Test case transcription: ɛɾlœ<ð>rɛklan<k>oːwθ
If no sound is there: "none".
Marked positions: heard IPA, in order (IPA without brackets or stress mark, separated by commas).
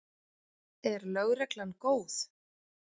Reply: ɣ, k